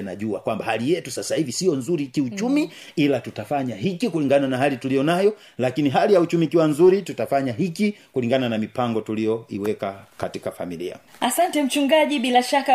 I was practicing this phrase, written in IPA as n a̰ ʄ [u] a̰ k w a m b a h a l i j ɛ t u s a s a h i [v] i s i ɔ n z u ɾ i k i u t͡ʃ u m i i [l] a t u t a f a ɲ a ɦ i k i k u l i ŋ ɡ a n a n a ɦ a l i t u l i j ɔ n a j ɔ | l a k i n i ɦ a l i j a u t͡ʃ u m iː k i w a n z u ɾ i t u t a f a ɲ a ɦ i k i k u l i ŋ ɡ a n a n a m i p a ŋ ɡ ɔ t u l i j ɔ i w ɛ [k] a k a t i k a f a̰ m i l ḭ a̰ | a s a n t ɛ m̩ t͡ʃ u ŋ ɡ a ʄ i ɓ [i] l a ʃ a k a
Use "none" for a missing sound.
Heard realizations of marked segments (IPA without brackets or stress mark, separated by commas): u, v, l, k, i